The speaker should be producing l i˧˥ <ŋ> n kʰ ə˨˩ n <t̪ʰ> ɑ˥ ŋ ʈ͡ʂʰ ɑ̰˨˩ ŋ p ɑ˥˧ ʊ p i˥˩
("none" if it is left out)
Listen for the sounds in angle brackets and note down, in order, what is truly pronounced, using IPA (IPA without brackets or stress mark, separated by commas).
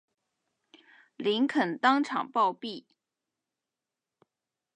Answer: none, t̪